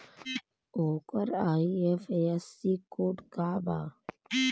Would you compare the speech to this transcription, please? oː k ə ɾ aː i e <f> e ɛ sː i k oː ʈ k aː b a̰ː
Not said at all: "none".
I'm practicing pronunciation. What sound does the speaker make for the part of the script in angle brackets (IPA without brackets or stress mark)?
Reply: f